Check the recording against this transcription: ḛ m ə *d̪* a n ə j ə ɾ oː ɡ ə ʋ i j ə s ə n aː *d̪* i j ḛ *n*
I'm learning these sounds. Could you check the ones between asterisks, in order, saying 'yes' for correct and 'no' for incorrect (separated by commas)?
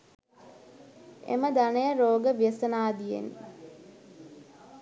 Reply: yes, yes, yes